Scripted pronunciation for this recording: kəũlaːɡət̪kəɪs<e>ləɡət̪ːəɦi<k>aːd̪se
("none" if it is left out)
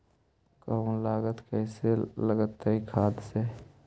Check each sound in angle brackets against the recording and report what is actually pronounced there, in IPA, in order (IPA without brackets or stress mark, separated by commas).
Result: e, kʰ